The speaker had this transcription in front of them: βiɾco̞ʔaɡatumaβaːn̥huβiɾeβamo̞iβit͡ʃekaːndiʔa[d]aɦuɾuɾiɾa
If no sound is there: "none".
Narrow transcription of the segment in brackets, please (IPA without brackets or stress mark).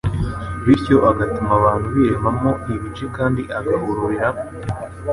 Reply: ɡ